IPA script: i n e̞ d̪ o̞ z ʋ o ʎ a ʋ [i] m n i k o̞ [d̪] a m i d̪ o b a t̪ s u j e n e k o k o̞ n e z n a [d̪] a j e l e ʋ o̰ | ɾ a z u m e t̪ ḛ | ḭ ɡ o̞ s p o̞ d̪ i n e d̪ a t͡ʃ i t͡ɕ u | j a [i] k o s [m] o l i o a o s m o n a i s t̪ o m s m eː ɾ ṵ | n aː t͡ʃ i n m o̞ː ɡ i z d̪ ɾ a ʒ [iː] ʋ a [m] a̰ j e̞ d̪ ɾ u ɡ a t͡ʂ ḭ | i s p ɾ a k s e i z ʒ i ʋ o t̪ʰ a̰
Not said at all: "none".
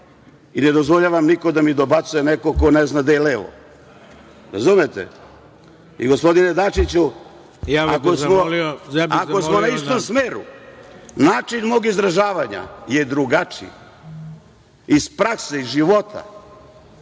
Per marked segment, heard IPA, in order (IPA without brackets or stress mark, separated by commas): a, d̪, d̪, a, m, aː, ɲ